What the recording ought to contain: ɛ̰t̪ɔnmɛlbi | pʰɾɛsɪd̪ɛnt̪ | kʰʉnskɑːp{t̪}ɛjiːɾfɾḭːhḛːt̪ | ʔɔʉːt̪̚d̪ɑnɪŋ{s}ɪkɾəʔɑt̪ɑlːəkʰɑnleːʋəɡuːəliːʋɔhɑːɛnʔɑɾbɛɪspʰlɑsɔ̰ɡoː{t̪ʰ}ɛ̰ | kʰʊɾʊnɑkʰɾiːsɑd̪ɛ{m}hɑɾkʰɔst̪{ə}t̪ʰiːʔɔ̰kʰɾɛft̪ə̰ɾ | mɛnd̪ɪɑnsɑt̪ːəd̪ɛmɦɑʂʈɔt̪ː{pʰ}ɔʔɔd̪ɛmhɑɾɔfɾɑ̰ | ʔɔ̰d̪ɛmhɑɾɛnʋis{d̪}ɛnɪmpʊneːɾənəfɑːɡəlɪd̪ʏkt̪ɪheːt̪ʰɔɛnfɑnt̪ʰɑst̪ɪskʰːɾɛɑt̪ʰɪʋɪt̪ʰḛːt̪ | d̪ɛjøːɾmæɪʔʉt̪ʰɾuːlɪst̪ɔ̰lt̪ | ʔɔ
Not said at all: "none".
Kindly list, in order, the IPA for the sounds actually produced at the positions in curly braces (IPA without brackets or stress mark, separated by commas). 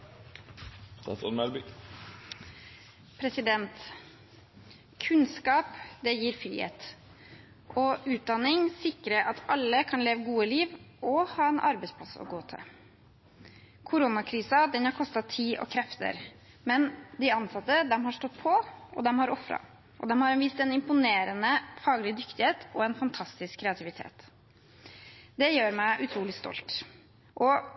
d̪, s, t̪ʰ, n, ɑ, pʰ, t̪